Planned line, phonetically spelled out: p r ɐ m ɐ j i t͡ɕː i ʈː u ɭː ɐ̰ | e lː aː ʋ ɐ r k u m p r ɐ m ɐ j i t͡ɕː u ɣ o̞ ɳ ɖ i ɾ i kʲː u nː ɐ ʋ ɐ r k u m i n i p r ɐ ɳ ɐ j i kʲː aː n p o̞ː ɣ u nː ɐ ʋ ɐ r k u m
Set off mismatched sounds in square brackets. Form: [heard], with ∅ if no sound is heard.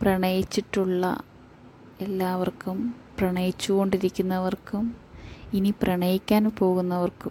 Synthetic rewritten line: p r ɐ [ɳ] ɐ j i t͡ɕː i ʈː u ɭː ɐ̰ | e lː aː ʋ ɐ r k u m p r ɐ [ɳ] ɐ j i t͡ɕː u ɣ o̞ ɳ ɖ i ɾ i kʲː u nː ɐ ʋ ɐ r k u m i n i p r ɐ ɳ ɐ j i kʲː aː n p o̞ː ɣ u nː ɐ ʋ ɐ r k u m